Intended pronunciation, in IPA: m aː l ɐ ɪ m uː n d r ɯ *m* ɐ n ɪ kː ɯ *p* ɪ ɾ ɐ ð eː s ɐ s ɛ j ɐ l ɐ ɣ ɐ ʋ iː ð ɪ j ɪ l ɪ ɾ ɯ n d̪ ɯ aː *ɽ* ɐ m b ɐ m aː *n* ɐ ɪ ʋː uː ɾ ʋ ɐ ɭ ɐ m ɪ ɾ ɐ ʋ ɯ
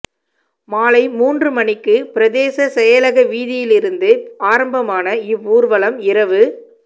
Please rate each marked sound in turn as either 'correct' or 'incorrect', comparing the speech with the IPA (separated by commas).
correct, correct, incorrect, correct